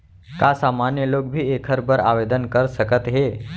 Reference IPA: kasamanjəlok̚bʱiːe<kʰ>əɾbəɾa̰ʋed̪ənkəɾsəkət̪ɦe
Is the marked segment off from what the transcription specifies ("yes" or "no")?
no